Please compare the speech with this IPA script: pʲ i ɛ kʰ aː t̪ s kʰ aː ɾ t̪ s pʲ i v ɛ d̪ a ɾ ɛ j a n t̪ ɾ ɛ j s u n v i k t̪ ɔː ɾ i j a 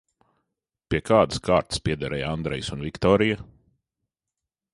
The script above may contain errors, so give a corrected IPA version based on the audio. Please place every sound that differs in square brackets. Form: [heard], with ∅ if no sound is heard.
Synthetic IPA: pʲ i ɛ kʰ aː [d̪] s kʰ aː ɾ t̪ s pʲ i [∅] ɛ d̪ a ɾ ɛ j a n [d̪] ɾ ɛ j s u n v i k t̪ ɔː ɾ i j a